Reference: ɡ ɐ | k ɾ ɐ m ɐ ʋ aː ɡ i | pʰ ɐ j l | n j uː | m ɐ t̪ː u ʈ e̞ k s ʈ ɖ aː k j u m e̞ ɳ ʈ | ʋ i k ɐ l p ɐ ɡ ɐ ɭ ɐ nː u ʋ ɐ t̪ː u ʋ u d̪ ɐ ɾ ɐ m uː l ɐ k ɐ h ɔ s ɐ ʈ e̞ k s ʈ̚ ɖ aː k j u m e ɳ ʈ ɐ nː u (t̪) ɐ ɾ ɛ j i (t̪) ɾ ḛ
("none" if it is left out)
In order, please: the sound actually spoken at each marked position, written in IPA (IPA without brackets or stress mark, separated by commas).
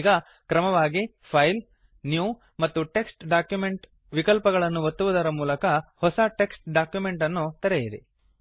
t̪, none